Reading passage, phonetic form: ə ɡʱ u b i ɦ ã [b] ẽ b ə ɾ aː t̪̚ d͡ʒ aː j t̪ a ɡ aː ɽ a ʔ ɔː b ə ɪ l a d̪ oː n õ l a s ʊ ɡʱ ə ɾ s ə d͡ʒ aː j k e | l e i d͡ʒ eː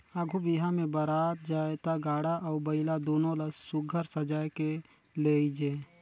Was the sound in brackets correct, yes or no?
no